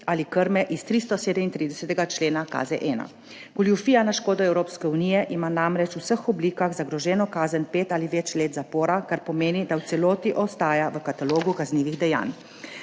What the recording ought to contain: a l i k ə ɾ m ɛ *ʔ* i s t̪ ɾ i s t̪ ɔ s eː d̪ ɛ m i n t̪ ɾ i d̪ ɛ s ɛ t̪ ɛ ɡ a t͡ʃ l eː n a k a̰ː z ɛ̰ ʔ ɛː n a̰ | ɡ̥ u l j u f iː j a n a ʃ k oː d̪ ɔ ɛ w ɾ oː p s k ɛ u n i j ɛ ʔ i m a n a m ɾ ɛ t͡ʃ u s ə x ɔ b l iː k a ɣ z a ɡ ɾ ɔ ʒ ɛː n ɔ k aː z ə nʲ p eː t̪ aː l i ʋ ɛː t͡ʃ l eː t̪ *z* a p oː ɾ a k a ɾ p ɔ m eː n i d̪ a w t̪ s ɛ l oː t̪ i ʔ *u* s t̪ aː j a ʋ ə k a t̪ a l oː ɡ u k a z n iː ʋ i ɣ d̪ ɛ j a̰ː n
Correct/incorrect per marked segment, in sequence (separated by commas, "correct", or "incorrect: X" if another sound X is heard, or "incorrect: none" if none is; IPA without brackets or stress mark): correct, correct, incorrect: ɔ